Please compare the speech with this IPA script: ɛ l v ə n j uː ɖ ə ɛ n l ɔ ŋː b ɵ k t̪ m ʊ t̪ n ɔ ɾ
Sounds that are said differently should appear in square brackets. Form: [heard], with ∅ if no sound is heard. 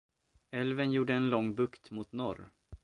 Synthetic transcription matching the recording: ɛ l v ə n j uː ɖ ə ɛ n l ɔ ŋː b ɵ k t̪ m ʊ t̪ n ɔ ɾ